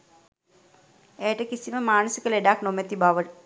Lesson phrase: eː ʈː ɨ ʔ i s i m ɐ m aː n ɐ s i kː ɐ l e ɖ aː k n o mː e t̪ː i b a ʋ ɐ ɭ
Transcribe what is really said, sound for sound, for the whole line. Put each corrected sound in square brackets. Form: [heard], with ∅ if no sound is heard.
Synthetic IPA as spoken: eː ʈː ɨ [k] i s i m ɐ m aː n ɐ s i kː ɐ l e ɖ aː k n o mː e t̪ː i b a ʋ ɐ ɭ

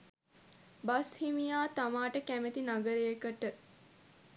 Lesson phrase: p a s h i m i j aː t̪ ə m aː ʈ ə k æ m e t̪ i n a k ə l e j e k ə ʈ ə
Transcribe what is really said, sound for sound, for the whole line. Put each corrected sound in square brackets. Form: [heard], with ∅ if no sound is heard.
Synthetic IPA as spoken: [b] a s h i m i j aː t̪ [a] m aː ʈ ə k æ m e t̪ i n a [ɡ] ə [ɾ] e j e k ə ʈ ə

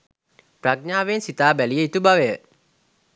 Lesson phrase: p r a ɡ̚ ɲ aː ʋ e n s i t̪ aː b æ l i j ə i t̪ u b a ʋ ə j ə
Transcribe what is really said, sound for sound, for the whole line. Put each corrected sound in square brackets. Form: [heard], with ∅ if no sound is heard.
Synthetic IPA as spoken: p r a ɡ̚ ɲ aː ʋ e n s i t̪ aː b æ l i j ə i t̪ u b a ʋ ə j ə

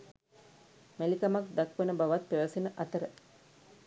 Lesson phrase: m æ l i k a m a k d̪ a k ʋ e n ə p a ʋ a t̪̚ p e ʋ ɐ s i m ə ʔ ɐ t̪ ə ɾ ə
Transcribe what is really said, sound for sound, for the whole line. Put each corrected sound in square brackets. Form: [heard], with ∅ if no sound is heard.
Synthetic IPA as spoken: m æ l i k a m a k d̪ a k ʋ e n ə [b] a ʋ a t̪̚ p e ʋ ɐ s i [n] ə ʔ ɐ t̪ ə ɾ ə

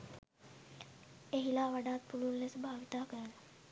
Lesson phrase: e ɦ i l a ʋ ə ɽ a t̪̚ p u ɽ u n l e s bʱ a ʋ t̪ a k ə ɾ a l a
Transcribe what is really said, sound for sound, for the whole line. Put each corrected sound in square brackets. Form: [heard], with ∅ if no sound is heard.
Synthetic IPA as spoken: e ɦ i l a ʋ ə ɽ a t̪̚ p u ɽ u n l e s bʱ a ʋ t̪ a k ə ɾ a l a

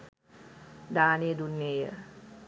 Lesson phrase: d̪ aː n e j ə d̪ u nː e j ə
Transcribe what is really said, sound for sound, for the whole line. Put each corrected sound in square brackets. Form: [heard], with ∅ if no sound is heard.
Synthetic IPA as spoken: d̪ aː n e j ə d̪ u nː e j ə

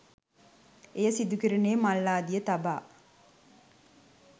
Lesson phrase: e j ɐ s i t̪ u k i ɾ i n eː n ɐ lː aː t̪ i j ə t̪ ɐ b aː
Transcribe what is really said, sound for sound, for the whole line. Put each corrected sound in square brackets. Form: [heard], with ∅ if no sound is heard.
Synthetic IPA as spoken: e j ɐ s i [d̪] u k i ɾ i n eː [m] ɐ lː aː [d̪] i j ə t̪ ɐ b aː

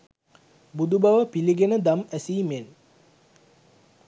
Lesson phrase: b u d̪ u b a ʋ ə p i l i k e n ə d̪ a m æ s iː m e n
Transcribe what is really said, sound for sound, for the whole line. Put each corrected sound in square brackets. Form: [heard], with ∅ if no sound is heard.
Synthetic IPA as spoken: b u d̪ u b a ʋ ə p i l i [ɡ] e n ə d̪ a m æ s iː m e n

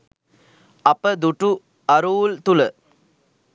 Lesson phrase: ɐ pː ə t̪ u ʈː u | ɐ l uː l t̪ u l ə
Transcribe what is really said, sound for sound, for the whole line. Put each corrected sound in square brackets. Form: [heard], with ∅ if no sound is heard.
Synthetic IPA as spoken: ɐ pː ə [d̪] u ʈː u | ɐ [ɾ] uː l t̪ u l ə

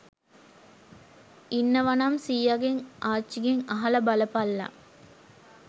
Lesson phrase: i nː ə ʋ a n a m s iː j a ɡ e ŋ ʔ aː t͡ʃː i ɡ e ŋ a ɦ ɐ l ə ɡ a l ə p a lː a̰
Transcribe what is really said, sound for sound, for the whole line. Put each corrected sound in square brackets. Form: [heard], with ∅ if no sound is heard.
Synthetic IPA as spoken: i nː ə ʋ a n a m s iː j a ɡ e ŋ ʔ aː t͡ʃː i ɡ e ŋ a ɦ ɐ l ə [b] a l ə p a lː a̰

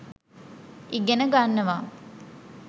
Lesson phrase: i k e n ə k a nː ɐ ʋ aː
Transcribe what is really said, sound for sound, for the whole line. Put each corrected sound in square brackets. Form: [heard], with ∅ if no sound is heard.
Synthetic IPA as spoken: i [ɡ] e n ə [ɡ] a nː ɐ ʋ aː

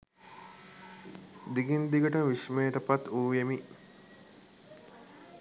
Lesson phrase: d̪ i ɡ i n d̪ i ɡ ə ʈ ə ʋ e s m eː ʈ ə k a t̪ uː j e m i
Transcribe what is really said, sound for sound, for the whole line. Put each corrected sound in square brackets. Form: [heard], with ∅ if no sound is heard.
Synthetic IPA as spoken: d̪ i ɡ i n d̪ i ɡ ə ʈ ə ʋ [i] s m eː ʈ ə [p] a t̪ uː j e m i

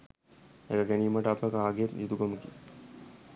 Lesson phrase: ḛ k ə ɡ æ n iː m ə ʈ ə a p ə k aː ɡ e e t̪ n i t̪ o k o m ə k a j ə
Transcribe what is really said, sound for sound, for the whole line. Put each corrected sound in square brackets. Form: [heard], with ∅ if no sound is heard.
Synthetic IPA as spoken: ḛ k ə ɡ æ n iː m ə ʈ ə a p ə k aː ɡ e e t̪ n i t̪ [u] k o m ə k [i] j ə

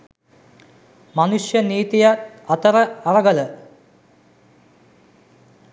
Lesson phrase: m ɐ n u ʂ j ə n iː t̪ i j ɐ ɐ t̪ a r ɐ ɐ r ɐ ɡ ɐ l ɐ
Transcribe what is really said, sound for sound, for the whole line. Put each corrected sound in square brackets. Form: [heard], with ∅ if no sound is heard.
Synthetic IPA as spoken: m ɐ n u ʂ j [ɐ] n iː t̪ i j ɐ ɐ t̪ [ɐ] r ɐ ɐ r ɐ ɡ ɐ l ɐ

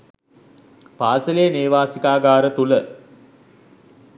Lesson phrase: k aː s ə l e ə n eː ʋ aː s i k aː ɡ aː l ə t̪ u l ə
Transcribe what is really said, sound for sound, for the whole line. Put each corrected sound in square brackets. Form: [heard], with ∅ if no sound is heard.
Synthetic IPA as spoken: [p] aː s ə l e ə n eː ʋ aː s i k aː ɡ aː [ɾ] ə t̪ u l ə

